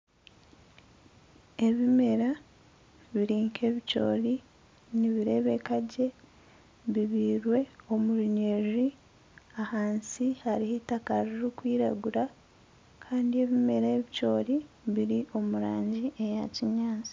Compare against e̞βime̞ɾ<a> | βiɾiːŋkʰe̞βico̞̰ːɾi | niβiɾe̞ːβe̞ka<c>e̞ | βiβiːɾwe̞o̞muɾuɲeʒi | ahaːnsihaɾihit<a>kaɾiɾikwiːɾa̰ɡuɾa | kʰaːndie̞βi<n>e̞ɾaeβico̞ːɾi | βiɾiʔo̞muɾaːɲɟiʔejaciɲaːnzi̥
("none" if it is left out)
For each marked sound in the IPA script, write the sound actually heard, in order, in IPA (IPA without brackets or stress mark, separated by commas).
a, ɟ, a, m